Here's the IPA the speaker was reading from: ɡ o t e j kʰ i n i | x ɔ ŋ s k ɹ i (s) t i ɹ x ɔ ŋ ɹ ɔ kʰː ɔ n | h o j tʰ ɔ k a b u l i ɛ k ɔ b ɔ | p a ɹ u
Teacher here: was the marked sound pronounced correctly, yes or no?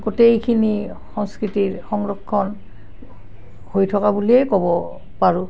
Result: no